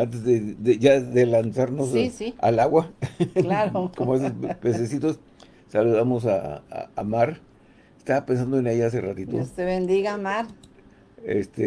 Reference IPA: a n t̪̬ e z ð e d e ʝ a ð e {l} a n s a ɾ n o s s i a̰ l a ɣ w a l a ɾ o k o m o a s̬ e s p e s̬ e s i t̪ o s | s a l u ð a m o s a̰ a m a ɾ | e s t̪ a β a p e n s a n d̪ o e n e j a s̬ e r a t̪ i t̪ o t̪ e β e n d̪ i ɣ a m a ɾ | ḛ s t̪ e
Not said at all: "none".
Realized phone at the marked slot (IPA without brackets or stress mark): l